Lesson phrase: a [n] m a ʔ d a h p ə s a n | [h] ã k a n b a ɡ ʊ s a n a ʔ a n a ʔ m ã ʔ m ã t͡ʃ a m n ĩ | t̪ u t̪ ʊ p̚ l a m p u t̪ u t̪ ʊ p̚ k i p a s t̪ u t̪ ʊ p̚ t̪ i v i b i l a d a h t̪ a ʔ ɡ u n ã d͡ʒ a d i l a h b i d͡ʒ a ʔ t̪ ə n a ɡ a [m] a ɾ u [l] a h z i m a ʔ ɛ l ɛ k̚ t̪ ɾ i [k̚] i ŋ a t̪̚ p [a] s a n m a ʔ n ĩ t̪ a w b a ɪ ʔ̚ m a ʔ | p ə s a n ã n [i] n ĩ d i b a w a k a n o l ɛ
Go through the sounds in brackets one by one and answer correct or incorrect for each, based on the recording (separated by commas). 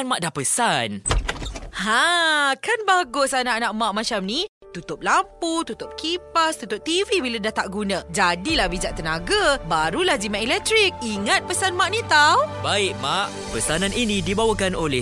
correct, correct, incorrect, correct, correct, incorrect, correct